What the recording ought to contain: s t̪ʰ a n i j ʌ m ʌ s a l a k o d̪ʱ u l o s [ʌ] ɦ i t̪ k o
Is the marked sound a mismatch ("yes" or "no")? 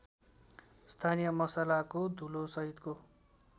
no